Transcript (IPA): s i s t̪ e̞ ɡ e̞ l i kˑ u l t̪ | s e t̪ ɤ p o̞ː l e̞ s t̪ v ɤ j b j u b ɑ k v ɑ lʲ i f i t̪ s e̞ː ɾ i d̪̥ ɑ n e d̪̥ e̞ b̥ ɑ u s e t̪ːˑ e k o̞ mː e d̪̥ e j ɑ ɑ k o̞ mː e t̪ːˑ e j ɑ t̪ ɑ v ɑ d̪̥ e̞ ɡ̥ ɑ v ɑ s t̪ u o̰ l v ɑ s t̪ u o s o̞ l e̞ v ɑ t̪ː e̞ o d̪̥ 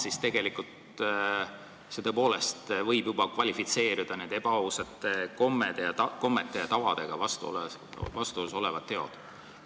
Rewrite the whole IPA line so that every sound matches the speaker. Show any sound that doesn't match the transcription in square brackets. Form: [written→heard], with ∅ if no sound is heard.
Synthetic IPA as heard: s i s t̪ e̞ ɡ e̞ l i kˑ u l t̪ | s e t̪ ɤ p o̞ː l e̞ s t̪ v ɤ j b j u b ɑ k v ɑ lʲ i f i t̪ s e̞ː ɾ i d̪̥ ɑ n e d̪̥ e̞ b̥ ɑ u s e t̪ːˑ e k o̞ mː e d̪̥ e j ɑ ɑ k o̞ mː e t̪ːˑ e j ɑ t̪ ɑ v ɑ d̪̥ e̞ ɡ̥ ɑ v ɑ s t̪ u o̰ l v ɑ s t̪ u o s o̞ l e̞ v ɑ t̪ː e̞ o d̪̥